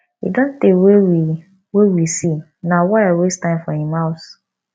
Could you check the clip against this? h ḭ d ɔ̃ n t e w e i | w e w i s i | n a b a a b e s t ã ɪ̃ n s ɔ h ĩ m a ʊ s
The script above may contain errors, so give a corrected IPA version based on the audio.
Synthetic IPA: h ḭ d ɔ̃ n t e w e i | w e w i s i | n a w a a w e s t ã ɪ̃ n f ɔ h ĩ m a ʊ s